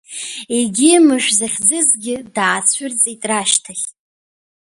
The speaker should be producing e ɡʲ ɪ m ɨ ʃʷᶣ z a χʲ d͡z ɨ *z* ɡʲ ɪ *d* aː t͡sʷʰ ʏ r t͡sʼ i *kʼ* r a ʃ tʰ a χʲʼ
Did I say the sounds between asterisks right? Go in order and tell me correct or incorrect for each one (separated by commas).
correct, correct, incorrect